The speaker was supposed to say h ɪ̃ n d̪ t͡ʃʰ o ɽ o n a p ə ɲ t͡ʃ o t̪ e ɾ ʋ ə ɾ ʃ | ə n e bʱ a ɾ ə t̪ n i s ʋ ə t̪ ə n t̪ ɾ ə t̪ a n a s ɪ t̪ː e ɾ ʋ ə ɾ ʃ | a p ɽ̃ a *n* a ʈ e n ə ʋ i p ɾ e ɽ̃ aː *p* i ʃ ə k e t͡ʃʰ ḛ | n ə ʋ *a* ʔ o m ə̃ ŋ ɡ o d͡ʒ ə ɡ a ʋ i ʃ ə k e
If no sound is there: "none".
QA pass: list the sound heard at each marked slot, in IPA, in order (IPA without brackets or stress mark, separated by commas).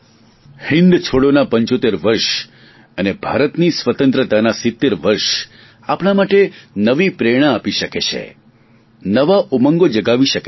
m, p, a